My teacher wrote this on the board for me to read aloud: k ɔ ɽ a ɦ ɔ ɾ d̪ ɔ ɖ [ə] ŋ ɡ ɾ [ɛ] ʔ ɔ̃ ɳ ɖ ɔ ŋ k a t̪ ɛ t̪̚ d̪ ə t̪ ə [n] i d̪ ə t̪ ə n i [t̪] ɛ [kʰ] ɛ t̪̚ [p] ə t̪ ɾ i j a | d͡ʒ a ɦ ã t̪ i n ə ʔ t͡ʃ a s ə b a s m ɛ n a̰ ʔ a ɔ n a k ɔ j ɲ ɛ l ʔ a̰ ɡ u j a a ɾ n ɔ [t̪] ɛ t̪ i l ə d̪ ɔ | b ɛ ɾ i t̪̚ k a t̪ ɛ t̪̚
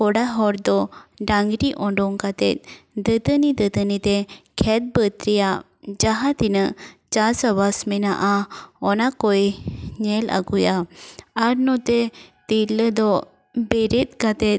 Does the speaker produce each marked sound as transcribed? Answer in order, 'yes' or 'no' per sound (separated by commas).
no, no, yes, yes, yes, no, yes